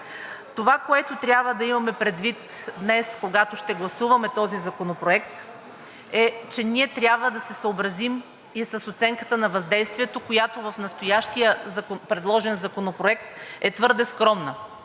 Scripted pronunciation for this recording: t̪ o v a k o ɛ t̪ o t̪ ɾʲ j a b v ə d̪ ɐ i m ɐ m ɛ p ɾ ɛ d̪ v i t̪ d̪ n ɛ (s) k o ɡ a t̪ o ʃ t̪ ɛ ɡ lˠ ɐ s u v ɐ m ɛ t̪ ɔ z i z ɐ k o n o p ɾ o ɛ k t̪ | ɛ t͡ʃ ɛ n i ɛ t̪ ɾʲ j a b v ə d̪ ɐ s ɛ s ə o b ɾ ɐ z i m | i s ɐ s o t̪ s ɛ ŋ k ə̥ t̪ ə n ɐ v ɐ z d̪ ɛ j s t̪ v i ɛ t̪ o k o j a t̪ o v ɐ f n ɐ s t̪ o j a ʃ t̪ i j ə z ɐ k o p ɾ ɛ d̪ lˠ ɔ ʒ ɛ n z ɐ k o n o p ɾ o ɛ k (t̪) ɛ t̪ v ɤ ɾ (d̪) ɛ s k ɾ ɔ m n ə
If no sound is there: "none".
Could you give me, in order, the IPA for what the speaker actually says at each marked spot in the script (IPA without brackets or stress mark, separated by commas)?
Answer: s, t̪, d̪